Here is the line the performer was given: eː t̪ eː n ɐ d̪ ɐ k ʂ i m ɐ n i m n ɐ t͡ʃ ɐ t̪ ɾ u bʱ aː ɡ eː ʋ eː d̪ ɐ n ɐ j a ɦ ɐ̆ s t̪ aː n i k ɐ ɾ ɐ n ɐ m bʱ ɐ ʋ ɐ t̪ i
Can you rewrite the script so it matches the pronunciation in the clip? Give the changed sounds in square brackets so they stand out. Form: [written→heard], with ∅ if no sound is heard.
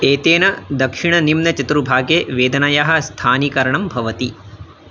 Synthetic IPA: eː t̪ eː n ɐ d̪ ɐ k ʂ i [m→ɳ] ɐ n i m n ɐ t͡ʃ ɐ t̪ ɾ u bʱ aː ɡ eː ʋ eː d̪ ɐ n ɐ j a ɦ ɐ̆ s [t̪→t̪ʰ] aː n i k ɐ ɾ ɐ [n→ɳ] ɐ m bʱ ɐ ʋ ɐ t̪ i